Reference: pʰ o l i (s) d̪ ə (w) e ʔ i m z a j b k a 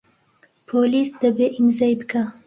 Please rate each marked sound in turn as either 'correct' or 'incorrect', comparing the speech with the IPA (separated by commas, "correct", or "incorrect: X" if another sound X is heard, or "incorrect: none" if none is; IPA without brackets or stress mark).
correct, incorrect: b